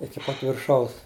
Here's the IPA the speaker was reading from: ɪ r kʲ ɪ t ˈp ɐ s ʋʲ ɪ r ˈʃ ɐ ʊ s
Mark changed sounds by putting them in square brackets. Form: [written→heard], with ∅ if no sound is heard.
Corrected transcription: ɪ [r→∅] kʲ ɪ [t→∅] ˈp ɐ [s→t] ʋʲ ɪ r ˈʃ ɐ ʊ s